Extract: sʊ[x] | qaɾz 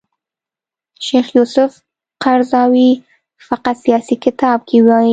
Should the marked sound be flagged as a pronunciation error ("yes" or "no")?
yes